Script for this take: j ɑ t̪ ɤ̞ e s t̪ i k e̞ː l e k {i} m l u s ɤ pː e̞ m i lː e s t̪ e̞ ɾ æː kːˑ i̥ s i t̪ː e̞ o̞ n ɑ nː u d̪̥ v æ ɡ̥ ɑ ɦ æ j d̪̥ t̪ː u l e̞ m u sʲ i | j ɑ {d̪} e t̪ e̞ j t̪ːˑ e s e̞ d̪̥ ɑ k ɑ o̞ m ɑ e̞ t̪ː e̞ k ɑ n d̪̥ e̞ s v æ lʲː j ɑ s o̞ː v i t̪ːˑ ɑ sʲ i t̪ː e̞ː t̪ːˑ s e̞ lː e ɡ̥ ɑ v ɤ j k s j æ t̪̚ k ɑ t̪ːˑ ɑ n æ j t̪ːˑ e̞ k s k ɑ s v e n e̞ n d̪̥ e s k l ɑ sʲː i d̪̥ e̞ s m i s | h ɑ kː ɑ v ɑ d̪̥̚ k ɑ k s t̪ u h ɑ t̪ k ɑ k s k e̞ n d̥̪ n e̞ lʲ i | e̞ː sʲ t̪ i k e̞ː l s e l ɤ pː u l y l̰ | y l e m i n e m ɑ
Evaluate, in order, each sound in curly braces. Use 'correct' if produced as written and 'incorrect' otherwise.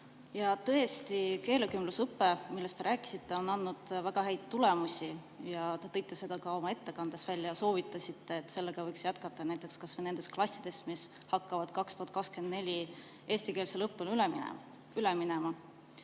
incorrect: y, incorrect: t̪

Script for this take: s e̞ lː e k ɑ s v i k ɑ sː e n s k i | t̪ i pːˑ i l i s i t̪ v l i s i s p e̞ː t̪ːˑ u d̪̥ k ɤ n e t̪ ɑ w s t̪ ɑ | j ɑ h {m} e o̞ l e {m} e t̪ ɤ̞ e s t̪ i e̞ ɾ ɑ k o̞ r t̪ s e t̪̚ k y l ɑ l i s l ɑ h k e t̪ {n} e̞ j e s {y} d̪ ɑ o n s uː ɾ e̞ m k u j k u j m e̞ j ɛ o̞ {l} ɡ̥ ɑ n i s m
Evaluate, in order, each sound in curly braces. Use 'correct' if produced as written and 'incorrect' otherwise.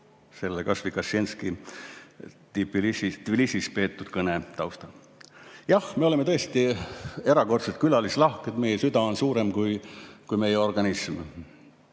correct, correct, incorrect: m, correct, incorrect: r

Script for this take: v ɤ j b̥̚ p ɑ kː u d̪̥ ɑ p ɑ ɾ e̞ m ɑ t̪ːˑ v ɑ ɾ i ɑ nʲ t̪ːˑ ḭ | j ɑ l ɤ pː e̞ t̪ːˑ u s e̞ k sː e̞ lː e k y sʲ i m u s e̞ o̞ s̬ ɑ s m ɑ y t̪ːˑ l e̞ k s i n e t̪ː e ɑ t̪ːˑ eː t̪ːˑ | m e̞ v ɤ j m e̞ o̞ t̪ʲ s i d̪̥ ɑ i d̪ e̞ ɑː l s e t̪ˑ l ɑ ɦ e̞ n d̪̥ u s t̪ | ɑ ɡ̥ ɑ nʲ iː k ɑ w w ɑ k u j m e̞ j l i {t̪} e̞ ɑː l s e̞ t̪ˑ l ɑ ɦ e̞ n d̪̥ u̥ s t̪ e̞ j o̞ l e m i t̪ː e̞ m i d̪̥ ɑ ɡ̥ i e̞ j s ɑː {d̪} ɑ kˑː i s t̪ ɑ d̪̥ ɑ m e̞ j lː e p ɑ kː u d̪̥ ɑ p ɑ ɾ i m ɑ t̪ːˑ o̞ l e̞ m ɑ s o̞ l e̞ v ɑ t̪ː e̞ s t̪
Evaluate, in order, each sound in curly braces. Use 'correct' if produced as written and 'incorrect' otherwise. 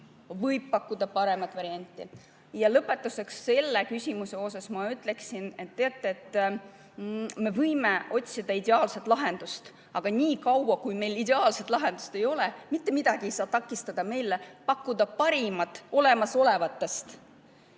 incorrect: d̪, incorrect: t̪

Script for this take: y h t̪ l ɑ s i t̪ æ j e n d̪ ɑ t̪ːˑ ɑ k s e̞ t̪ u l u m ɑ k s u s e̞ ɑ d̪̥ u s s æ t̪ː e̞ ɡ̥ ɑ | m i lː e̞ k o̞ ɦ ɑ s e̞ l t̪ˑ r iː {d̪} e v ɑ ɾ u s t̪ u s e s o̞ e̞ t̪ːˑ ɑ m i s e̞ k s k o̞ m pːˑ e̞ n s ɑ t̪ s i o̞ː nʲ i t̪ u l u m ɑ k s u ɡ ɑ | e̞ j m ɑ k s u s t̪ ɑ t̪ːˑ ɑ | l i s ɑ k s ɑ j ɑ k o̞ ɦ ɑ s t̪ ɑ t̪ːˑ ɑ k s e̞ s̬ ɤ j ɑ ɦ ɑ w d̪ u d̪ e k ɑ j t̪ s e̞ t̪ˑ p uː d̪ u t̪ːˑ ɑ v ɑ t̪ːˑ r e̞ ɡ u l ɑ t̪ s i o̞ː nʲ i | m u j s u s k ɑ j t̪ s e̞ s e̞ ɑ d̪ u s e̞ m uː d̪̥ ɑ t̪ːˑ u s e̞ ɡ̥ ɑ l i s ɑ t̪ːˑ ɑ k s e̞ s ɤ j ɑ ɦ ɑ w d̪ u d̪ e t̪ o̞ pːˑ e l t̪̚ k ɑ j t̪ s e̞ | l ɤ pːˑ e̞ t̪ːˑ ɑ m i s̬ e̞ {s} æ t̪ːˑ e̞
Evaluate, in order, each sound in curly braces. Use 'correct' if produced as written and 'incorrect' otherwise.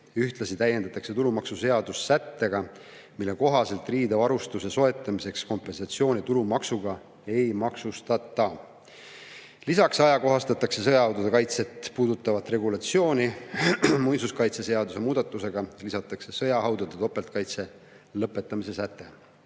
correct, correct

